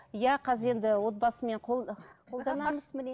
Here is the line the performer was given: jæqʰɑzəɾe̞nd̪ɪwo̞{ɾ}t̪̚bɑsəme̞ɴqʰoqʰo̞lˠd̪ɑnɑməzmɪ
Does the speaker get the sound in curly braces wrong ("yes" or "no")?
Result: yes